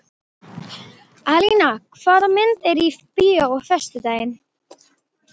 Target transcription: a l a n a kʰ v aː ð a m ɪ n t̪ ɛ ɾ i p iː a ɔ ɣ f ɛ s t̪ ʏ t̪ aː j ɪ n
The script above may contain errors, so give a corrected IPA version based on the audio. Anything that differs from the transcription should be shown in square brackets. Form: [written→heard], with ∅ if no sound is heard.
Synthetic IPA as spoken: a l [a→i] n a kʰ v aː ð a m ɪ n t̪ ɛ ɾ i p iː a ɔ ɣ f ɛ s t̪ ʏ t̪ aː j ɪ n

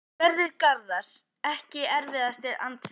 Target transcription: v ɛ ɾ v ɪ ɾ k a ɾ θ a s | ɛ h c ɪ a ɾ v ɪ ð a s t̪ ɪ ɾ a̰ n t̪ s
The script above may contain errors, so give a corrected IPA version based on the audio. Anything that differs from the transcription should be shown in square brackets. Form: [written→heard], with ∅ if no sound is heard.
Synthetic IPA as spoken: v ɛ ɾ [v→ð] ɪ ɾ k a ɾ [θ→ð] a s | ɛ h c ɪ [a→ɛ] ɾ v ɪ ð a s t̪ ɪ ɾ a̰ n t̪ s

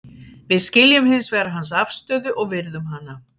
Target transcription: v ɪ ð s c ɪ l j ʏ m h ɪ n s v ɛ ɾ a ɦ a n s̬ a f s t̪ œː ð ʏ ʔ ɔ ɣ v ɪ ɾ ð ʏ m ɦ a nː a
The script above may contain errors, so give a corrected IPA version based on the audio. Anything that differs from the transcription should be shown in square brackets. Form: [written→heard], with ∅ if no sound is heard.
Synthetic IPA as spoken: v ɪ ð s c ɪ l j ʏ m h ɪ n s v ɛ ɾ a ɦ a n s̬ a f s t̪ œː ð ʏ ʔ ɔ ɣ v ɪ ɾ ð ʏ m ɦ a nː a

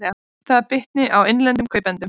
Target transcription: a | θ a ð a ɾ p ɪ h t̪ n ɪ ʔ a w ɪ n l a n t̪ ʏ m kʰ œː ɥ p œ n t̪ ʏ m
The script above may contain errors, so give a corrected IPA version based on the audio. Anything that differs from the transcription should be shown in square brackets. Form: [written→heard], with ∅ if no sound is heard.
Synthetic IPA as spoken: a | θ a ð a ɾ p ɪ h t̪ n ɪ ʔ a w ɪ n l [a→ɛ] n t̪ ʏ m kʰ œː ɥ p [œ→ɛ] n t̪ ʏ m

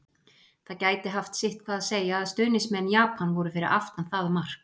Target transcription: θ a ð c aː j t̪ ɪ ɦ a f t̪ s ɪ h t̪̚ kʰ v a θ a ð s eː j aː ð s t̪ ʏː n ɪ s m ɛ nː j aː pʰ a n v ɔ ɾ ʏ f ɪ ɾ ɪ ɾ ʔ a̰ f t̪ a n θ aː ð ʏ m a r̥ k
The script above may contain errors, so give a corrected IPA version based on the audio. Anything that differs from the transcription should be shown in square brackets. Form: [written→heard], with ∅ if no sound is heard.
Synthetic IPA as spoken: θ a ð c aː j t̪ ɪ ɦ a f t̪ s ɪ h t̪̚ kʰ v a [θ→ð] a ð s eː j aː ð s t̪ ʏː n ɪ s m ɛ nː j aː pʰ a n v ɔ ɾ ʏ f ɪ ɾ ɪ ɾ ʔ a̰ f t̪ a n θ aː ð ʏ m a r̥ k

